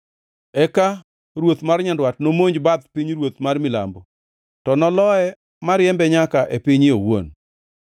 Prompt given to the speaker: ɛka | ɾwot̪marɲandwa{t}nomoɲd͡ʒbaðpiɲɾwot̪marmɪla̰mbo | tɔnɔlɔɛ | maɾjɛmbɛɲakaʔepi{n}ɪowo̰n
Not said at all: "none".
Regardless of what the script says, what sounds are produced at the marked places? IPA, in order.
t, ɲ

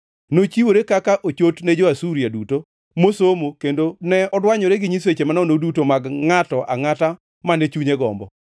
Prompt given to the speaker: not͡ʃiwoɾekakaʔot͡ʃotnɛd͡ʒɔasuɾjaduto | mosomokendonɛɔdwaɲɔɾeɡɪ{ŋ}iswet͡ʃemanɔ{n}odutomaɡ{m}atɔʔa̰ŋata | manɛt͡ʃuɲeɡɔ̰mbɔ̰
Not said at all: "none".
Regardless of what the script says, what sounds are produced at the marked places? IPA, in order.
ɲ, n, ŋ

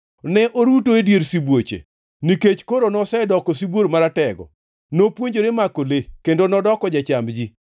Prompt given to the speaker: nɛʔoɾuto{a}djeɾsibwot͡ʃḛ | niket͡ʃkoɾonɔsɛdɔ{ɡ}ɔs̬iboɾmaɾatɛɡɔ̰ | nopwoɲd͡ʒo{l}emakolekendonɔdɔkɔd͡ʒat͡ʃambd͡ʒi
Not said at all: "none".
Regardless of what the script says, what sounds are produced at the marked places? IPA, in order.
e, k, ɾ

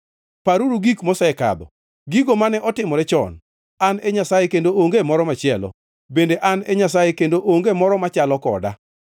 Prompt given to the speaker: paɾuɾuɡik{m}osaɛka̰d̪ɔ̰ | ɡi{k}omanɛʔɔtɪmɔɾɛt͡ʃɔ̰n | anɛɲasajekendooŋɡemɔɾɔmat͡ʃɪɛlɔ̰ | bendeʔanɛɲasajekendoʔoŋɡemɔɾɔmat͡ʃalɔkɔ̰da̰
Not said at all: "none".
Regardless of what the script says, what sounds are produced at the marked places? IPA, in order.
m, ɡ

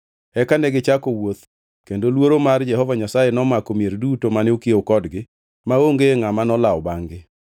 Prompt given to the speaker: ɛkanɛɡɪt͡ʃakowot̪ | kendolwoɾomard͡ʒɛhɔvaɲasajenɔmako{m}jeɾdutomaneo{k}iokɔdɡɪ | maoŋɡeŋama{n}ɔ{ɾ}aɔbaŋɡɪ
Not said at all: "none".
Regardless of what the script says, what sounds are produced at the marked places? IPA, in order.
m, k, n, l

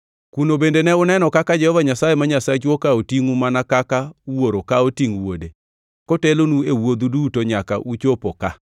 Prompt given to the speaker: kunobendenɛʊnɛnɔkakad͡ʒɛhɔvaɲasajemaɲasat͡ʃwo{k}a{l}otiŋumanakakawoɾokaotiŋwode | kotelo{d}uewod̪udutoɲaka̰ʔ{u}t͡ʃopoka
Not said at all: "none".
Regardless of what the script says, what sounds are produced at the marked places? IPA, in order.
k, none, n, u

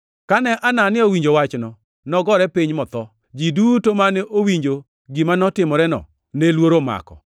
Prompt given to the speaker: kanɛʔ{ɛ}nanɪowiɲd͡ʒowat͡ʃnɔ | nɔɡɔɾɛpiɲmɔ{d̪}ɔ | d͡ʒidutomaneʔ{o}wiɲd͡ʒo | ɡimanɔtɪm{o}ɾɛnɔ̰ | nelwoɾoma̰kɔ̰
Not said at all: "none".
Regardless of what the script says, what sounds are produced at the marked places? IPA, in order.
a, t̪, o, ɔ

